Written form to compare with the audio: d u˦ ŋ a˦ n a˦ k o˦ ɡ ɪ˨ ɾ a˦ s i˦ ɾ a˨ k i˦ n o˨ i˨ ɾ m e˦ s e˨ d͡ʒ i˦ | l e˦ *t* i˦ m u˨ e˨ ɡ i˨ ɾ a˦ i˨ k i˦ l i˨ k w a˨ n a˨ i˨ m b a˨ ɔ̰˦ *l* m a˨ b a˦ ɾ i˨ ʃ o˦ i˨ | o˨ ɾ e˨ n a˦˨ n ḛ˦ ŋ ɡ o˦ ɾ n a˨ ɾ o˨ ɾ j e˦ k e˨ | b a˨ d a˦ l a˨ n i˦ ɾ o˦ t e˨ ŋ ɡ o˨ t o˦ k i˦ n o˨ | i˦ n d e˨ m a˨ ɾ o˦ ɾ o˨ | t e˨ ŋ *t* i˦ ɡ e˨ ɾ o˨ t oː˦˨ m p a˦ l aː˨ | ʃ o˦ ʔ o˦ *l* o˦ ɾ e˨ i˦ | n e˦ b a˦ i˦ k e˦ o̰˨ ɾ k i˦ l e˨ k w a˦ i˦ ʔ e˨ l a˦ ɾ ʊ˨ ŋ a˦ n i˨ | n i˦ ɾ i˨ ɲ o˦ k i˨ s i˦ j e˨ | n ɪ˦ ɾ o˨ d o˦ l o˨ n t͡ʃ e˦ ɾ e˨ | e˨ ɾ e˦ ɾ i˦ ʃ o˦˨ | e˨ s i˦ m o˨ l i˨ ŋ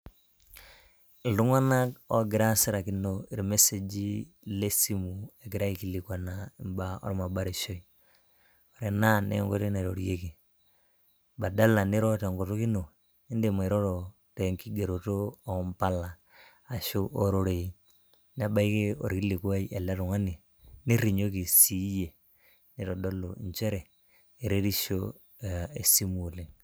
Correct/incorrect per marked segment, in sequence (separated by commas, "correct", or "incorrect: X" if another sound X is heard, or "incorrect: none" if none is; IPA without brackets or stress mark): incorrect: s, incorrect: ɾ, incorrect: k, incorrect: ɾ